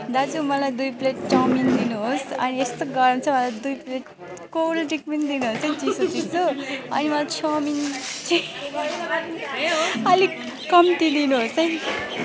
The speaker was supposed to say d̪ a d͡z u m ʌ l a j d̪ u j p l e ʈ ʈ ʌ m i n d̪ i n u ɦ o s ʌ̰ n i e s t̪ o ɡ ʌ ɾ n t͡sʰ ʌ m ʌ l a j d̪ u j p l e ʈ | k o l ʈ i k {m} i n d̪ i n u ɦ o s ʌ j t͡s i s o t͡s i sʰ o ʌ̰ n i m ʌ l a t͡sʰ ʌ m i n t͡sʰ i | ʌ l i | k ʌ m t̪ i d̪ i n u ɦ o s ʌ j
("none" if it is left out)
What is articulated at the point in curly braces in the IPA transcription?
m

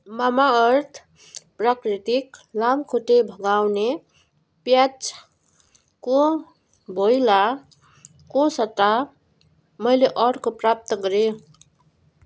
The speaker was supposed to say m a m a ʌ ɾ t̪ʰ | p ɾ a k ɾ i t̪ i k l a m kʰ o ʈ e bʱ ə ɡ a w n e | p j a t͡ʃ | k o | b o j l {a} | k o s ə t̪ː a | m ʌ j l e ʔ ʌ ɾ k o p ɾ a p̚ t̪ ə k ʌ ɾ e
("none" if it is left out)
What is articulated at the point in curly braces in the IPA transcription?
a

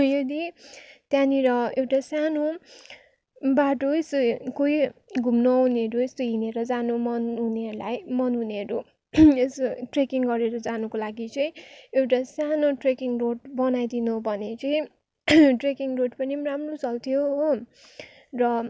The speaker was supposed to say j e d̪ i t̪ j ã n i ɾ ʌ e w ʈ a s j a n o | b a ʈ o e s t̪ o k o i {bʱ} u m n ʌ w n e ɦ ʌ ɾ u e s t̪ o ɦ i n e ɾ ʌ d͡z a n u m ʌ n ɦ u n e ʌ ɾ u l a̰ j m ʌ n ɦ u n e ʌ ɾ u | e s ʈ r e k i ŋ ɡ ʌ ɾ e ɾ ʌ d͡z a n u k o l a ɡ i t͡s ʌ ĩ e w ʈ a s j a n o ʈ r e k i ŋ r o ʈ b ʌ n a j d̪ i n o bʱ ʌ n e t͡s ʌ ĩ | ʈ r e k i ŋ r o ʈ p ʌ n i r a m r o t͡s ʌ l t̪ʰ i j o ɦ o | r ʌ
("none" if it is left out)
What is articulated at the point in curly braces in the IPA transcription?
ɡʱ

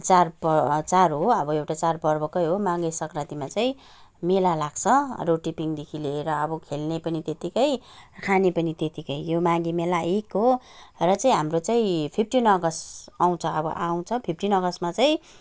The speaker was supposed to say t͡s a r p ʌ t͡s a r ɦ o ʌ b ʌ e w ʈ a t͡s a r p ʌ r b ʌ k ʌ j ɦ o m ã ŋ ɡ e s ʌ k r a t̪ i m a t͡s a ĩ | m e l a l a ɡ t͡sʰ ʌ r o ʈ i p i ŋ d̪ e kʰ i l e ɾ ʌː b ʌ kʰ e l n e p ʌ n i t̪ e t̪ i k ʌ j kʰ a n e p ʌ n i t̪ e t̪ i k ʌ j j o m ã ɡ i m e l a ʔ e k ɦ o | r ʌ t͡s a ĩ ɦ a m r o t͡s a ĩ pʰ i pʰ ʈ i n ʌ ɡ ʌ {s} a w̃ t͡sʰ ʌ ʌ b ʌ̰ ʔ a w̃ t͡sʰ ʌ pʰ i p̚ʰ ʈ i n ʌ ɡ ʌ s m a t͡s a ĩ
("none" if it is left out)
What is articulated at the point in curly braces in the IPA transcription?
s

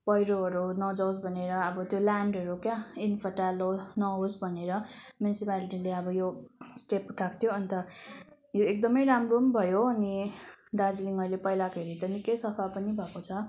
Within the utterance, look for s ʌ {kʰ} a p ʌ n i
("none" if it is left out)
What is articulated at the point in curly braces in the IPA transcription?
pʰ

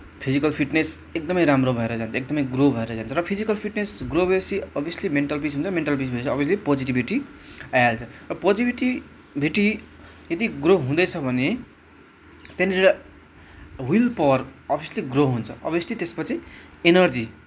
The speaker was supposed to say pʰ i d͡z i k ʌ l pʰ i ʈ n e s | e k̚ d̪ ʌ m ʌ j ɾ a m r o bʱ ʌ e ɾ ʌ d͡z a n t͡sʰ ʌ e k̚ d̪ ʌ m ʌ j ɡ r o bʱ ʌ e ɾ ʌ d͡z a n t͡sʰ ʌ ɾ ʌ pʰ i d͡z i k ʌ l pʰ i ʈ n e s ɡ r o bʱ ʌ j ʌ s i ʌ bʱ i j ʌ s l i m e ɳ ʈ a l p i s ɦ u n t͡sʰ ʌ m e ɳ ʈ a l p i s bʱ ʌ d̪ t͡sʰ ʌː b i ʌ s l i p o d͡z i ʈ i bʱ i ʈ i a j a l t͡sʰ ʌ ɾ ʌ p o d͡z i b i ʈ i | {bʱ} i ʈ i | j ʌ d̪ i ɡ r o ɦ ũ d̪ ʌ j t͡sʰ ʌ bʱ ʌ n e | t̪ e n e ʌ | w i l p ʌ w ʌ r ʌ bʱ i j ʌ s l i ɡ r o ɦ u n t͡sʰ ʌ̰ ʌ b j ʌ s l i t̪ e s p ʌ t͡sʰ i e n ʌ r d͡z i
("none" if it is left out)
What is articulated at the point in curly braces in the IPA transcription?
bʱ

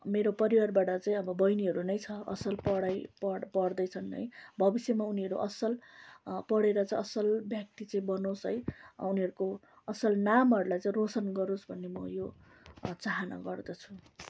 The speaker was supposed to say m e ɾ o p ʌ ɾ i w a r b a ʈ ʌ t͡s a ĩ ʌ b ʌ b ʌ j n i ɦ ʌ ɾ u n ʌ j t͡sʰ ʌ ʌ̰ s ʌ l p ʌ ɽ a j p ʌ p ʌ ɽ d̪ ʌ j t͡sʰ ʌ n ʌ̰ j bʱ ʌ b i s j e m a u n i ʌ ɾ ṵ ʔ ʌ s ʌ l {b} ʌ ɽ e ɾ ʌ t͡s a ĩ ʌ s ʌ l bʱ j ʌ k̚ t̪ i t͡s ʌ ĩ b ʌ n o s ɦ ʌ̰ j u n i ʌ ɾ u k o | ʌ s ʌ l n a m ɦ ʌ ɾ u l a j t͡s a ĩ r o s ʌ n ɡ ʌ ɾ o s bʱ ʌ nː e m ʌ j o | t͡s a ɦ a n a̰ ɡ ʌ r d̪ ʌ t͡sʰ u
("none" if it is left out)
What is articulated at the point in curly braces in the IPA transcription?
p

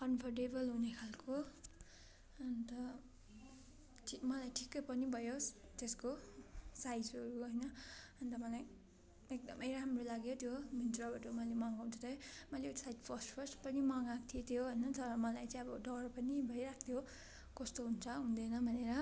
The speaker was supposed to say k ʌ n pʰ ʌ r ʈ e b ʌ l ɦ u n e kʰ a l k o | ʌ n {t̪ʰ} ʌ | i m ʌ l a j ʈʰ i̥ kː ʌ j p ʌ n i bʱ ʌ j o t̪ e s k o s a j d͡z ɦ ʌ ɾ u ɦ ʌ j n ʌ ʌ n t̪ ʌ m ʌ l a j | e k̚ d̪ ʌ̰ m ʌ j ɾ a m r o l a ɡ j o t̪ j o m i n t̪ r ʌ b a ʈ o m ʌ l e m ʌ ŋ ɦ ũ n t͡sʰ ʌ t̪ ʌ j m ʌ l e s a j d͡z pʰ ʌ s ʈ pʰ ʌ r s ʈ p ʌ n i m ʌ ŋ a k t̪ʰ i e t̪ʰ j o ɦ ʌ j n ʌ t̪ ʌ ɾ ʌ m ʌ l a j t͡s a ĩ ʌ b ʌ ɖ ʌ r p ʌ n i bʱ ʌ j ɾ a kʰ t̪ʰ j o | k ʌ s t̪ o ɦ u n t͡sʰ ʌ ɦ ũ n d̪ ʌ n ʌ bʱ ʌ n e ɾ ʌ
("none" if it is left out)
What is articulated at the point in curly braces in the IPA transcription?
t̪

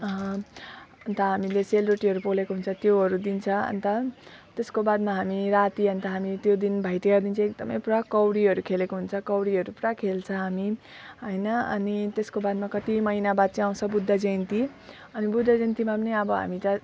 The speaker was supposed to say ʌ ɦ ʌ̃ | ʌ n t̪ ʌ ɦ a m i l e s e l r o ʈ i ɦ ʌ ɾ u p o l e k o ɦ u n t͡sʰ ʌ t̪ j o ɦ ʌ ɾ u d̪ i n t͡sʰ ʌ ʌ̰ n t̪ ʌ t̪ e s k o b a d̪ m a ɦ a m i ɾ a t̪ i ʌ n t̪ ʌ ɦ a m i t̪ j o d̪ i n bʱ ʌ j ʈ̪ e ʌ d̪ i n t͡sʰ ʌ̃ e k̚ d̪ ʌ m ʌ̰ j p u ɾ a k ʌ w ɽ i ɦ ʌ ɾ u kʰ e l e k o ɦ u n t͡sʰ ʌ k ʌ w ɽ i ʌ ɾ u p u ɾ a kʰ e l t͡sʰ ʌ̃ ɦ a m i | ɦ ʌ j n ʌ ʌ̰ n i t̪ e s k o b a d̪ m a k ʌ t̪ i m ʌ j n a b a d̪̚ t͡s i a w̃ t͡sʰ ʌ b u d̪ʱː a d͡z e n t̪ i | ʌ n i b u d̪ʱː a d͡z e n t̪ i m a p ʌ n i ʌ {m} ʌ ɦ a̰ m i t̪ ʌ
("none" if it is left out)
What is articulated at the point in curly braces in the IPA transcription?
b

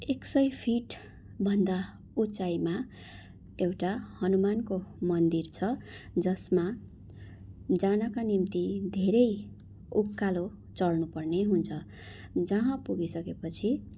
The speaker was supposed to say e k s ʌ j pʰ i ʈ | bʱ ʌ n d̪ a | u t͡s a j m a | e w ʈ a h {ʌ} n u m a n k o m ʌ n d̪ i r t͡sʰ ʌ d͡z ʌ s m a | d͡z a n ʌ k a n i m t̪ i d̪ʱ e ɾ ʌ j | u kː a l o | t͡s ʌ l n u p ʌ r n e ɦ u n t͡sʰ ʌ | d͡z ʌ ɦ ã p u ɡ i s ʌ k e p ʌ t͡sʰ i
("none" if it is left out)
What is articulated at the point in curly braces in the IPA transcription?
ʌ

